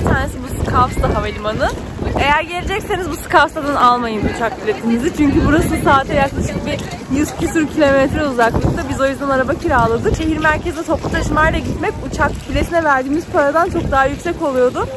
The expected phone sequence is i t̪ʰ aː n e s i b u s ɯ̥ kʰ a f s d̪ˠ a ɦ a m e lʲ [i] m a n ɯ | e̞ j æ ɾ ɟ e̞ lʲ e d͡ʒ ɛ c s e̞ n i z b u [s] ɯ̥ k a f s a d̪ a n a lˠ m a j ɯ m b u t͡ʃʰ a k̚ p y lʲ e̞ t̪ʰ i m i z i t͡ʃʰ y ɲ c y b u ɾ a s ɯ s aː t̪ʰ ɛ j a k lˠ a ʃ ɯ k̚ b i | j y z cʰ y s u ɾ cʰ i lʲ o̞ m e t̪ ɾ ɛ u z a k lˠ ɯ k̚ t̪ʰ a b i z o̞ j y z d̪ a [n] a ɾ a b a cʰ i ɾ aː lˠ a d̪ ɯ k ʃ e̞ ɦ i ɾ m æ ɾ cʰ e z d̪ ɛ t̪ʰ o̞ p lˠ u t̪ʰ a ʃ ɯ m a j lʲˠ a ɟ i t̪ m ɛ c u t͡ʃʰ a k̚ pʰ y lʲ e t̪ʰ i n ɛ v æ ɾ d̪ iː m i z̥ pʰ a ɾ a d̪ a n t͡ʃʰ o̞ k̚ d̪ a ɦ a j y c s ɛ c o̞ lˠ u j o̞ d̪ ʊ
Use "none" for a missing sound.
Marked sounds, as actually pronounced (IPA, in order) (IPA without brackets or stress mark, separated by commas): i, s, n